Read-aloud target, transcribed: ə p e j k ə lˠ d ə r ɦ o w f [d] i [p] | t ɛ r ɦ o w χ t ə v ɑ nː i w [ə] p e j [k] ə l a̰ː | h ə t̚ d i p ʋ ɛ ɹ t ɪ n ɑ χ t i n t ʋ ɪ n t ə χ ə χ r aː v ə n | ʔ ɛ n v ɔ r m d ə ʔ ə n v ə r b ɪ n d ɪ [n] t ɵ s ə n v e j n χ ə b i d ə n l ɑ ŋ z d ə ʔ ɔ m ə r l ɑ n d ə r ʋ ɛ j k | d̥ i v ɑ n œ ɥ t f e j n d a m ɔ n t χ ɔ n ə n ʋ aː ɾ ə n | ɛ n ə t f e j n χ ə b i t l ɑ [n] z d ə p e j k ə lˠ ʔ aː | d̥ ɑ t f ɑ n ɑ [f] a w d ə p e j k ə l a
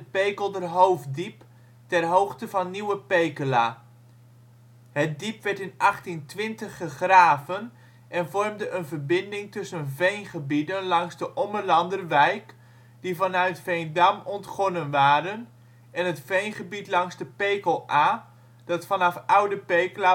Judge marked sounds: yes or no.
yes, yes, yes, yes, no, no, yes

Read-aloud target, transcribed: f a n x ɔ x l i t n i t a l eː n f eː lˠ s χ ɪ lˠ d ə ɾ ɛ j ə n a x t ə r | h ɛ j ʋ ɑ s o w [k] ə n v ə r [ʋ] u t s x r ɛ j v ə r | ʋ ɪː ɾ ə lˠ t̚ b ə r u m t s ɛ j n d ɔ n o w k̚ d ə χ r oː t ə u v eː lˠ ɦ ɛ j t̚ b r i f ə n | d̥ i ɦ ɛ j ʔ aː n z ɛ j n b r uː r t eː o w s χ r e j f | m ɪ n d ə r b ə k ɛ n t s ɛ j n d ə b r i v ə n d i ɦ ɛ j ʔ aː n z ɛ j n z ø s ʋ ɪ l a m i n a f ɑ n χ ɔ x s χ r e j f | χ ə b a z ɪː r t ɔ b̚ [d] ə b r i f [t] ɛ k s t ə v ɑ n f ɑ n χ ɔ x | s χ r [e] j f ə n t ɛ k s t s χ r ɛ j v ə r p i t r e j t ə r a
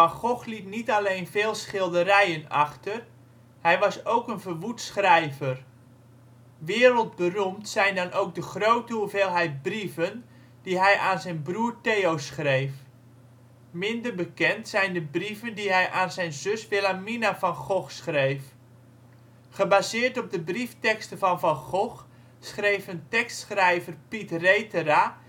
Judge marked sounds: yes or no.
yes, yes, yes, yes, yes

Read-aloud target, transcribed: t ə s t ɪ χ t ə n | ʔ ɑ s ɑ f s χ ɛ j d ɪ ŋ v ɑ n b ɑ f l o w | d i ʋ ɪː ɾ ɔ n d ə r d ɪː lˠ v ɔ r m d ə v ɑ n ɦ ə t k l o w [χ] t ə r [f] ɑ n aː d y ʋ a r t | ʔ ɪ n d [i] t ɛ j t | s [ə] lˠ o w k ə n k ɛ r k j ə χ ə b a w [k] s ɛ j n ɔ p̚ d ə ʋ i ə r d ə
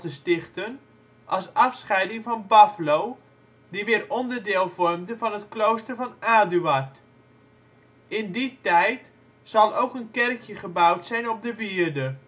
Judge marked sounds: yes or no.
no, no, yes, no, no

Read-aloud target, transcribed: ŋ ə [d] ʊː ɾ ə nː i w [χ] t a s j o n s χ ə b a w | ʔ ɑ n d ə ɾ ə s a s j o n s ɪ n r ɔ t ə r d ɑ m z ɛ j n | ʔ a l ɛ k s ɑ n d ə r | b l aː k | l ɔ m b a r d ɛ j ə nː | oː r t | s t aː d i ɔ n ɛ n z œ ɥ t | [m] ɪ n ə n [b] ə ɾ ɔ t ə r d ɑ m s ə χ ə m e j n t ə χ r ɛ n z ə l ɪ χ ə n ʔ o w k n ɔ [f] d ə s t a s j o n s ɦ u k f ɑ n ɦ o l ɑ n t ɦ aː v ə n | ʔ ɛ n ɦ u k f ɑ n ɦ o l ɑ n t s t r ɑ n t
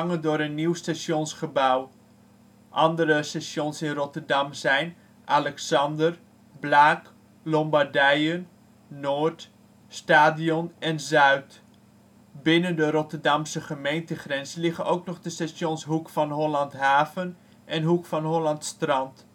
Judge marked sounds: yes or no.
yes, no, no, no, no

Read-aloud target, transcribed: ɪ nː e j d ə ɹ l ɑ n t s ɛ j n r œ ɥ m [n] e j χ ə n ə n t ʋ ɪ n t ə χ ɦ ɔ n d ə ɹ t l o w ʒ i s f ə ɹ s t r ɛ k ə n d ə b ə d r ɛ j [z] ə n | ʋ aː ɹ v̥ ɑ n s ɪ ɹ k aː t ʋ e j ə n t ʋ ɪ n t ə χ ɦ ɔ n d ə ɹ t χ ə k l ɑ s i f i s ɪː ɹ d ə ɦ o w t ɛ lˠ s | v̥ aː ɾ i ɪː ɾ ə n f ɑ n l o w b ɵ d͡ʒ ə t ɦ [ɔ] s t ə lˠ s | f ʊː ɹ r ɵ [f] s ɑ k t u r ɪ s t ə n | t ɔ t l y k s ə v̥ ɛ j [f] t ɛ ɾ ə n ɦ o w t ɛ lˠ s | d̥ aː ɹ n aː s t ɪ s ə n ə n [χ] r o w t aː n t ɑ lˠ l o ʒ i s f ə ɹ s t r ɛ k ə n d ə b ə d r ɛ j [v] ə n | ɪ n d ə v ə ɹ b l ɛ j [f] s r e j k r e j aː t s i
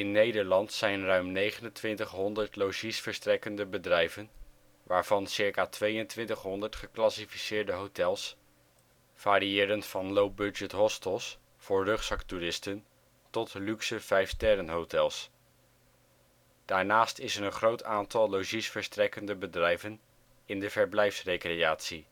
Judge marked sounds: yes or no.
yes, no, yes, no, yes, yes, yes, yes

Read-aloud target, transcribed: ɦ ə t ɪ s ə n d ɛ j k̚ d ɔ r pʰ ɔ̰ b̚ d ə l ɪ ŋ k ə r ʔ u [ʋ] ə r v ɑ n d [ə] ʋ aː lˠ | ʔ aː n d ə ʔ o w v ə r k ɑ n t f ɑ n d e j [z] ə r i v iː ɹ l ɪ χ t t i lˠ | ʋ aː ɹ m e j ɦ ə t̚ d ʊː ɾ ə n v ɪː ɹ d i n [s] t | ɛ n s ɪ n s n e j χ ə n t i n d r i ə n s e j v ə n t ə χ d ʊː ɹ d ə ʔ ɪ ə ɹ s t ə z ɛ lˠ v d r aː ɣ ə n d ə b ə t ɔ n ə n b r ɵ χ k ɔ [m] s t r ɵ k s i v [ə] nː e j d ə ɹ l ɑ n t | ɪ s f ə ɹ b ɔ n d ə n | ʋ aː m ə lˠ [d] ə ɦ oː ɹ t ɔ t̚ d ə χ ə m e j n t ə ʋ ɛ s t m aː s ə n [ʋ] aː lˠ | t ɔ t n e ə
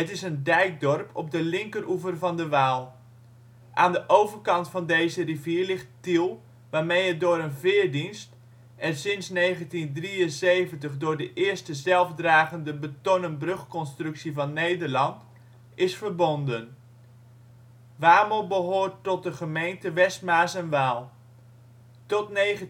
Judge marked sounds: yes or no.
no, yes, yes, yes, no, no, no, yes

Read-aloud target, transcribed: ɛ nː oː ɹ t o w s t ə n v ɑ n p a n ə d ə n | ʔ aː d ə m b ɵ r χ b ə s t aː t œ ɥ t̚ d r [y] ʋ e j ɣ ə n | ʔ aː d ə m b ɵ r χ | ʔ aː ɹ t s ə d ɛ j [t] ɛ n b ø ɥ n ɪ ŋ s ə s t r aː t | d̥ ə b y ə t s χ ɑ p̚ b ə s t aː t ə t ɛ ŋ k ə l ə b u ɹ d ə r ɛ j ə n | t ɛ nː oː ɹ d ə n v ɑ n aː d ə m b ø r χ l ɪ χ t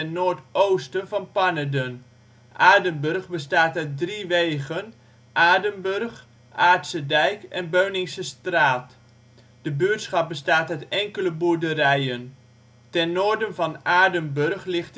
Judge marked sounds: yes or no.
no, no

